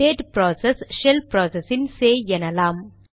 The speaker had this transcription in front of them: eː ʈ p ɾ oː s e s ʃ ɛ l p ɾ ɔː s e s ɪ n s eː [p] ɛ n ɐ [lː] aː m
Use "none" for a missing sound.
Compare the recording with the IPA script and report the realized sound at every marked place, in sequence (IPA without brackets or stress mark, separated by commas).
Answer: none, l